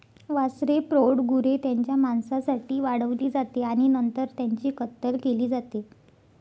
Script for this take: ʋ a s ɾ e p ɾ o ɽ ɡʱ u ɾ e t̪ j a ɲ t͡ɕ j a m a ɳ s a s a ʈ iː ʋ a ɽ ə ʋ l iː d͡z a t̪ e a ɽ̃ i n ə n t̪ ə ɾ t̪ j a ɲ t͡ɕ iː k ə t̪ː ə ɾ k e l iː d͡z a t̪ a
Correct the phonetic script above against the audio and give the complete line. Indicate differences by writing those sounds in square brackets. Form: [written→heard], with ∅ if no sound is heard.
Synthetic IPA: ʋ a s ɾ e p ɾ o ɽ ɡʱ u ɾ e t̪ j a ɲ t͡ɕ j a m a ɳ s a s a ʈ iː ʋ a ɽ ə ʋ l iː d͡z a t̪ e a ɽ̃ i n ə n t̪ ə ɾ t̪ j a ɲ t͡ɕ iː k ə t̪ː ə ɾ k e l iː d͡z a t̪ [a→e]